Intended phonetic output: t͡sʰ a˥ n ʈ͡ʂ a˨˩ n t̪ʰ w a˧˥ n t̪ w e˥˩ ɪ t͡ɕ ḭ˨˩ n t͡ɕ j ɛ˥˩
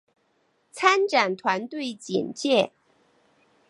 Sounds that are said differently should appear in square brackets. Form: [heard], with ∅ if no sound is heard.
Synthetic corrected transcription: t͡sʰ a˥ n ʈ͡ʂ a˨˩ n t̪ʰ w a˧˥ n t̪ w e˥˩ ɪ t͡ɕ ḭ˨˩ n t͡ɕ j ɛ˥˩